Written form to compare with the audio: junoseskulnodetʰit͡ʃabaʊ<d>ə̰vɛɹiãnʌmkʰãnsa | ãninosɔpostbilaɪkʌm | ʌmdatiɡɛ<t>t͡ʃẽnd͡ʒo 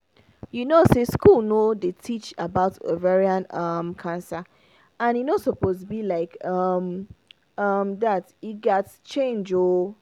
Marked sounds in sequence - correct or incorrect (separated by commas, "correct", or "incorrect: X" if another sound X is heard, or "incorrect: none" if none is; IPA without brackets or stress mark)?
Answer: incorrect: t, correct